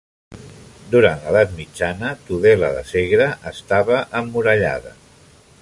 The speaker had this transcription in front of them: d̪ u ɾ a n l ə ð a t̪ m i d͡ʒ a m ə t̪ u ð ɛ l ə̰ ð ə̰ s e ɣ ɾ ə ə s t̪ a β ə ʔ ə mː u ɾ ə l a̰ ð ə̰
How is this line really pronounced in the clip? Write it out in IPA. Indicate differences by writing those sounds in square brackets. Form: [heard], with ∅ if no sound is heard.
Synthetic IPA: d̪ u ɾ a n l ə ð a t̪ m i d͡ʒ a [n] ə t̪ u ð ɛ l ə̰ ð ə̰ s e ɣ ɾ ə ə s t̪ a β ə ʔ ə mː u ɾ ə [ʎ] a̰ ð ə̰